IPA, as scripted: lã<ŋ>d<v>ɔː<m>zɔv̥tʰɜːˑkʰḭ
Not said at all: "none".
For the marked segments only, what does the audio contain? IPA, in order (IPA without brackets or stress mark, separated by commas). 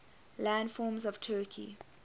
n, f, m